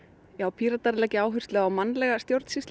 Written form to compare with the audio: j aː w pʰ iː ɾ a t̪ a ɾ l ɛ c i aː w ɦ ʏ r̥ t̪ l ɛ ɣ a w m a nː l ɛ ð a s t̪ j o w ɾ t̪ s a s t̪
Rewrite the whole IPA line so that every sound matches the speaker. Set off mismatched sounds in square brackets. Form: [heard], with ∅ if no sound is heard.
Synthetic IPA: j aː w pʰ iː ɾ a t̪ a ɾ l ɛ c [ɪ] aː w ɦ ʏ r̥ t̪ l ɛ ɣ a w m a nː l ɛ [ɣ] a s t̪ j o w ɾ t̪ s [i] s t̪